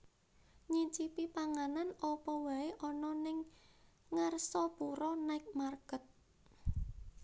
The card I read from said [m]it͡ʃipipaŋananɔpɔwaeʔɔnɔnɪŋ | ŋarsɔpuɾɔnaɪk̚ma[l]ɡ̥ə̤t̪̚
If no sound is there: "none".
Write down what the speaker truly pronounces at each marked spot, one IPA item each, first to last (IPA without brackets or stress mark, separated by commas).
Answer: ɲ, r